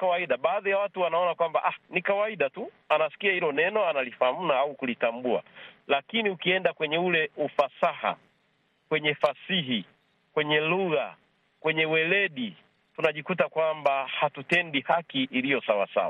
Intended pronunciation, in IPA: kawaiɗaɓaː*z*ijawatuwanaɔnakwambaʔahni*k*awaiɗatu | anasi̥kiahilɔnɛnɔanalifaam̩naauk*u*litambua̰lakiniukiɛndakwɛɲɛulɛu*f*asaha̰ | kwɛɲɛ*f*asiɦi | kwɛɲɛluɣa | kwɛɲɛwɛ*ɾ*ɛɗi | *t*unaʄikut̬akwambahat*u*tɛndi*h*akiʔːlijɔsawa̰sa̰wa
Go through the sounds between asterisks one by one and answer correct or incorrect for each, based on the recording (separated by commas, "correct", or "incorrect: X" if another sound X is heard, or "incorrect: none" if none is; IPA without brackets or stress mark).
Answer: incorrect: ð, correct, correct, correct, correct, incorrect: l, correct, correct, correct